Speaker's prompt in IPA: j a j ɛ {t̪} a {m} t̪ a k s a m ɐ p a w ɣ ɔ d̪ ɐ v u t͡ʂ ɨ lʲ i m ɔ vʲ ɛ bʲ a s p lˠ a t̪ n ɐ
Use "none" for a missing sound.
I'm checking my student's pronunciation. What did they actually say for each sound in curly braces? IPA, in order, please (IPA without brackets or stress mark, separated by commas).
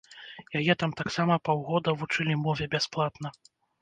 t̪, m